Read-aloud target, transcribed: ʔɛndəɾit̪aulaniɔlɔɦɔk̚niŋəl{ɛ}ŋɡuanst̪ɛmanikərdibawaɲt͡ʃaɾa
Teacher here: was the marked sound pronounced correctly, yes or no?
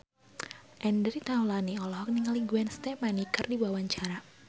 no